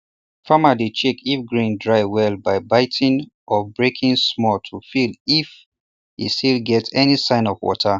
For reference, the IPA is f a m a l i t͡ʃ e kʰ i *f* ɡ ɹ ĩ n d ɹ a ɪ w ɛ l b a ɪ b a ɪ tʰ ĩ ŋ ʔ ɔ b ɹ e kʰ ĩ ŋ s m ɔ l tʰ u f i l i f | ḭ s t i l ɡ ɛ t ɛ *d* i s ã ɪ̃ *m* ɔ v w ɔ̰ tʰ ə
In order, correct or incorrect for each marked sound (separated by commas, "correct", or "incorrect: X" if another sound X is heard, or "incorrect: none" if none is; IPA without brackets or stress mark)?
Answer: correct, incorrect: n, incorrect: n